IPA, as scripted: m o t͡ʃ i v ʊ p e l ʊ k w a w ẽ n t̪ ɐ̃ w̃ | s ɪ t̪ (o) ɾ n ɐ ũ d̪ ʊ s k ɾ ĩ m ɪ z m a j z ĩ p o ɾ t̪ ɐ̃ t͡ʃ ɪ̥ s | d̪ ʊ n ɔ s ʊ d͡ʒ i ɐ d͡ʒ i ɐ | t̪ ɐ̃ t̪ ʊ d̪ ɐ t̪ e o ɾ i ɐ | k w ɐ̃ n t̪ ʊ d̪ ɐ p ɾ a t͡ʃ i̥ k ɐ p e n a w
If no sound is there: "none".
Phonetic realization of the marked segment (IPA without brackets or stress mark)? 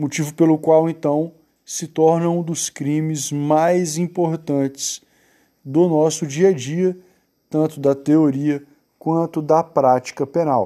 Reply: ɔ